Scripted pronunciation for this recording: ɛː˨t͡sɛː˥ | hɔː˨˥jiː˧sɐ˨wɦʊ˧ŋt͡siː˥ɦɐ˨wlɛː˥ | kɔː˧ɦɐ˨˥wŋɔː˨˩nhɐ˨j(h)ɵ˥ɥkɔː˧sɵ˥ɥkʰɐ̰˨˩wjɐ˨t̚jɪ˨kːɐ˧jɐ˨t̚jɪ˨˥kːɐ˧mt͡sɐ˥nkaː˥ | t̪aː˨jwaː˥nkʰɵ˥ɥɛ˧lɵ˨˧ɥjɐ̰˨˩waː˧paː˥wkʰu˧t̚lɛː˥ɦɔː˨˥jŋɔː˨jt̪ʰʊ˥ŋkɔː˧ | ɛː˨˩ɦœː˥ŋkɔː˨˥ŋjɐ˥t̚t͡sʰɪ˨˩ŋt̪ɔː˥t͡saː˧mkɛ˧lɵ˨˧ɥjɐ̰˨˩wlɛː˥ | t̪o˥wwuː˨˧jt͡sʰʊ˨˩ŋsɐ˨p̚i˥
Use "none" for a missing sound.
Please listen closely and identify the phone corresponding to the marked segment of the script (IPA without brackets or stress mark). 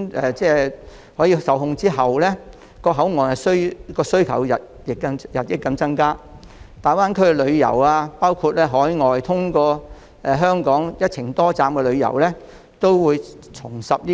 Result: s